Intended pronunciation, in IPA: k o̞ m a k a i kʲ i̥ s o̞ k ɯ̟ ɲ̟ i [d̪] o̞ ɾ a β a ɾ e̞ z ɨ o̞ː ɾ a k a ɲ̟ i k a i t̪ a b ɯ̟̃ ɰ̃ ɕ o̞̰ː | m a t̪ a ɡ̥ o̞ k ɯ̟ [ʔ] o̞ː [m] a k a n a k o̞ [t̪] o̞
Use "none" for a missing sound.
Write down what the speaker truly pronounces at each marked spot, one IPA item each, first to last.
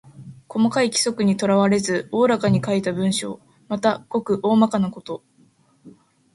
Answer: t̪, ʔ, m, t̪

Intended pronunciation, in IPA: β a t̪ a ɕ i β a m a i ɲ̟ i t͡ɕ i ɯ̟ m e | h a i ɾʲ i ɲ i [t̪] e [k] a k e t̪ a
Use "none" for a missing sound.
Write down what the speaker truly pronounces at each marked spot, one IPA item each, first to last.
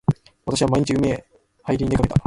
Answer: d̪, k

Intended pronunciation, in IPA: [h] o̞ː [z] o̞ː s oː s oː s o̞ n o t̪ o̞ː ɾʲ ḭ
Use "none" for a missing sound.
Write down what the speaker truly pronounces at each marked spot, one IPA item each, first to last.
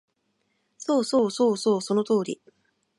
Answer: s, s

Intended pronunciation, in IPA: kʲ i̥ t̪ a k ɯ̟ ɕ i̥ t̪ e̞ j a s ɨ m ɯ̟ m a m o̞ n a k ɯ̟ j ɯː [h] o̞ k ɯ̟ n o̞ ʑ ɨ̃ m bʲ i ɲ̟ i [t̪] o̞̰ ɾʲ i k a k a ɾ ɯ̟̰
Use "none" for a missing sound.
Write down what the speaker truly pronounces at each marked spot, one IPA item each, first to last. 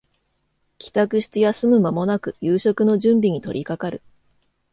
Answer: ɕ, t̪

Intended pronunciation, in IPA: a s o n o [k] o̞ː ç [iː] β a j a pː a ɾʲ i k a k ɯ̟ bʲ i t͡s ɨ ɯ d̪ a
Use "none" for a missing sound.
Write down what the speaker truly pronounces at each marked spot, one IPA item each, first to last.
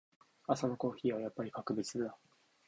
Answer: k, iː

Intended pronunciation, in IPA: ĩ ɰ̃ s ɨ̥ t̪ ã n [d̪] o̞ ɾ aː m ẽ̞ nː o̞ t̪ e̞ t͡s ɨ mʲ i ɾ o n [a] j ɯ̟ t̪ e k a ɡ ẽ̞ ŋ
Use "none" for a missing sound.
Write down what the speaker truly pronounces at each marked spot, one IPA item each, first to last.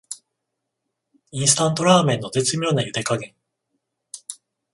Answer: t̪, a

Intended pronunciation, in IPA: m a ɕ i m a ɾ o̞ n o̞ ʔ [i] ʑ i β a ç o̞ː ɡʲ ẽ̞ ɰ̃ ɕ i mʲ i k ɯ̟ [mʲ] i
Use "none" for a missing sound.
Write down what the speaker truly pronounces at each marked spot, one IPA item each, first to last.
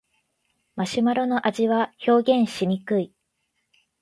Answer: a, none

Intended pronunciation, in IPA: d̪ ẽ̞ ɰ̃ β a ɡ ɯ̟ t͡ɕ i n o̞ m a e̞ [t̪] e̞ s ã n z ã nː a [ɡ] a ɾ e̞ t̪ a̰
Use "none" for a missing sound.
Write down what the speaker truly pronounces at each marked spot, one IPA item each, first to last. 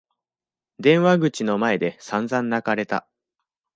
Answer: d̪, k

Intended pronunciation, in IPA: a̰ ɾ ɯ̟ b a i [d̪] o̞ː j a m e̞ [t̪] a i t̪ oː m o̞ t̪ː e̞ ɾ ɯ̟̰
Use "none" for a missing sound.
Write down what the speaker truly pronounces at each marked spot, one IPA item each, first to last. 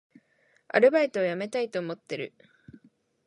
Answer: t̪, t̪

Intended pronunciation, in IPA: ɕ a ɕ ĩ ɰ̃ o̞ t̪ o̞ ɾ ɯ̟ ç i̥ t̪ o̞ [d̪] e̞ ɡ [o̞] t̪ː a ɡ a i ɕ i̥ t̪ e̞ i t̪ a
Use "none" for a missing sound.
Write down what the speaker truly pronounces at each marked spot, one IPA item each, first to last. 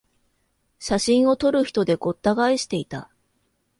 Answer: d̪, o̞

